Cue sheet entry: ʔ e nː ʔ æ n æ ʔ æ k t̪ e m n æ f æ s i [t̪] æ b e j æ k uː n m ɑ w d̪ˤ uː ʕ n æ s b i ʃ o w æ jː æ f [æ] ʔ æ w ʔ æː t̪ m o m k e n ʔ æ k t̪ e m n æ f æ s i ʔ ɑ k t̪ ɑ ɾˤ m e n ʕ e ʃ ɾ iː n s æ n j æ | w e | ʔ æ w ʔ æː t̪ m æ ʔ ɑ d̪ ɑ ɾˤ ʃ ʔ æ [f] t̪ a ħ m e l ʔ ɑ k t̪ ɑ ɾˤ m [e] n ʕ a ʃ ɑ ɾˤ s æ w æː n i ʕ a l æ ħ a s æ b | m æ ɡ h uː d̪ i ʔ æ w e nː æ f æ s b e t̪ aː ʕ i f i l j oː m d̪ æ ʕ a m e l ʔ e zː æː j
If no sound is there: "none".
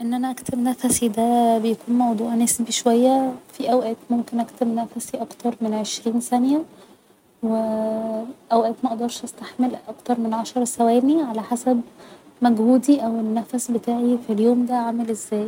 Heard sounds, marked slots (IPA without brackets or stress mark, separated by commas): d̪, i, s, e